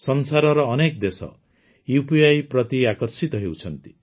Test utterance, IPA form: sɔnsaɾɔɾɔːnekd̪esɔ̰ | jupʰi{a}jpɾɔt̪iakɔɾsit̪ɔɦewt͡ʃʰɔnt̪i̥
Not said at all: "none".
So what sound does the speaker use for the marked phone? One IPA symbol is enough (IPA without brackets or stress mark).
a